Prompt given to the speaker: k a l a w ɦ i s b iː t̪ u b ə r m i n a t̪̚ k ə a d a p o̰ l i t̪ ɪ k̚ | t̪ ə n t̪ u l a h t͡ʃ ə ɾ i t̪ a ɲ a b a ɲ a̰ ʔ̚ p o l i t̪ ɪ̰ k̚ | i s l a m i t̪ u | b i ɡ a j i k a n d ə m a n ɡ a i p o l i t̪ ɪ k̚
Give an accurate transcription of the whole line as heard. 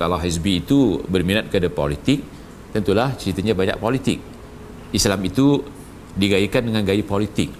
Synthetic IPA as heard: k a l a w ɦ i s b iː t̪ u b ə r m i n a t̪̚ k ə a d a p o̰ l i t̪ ɪ k̚ | t̪ ə n t̪ u l a h t͡ʃ ə ɾ i t̪ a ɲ a b a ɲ a̰ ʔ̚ p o l i t̪ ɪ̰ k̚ | i s l a m i t̪ u | d i ɡ a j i k a n d ə ŋ a n ɡ a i p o l i t̪ ɪ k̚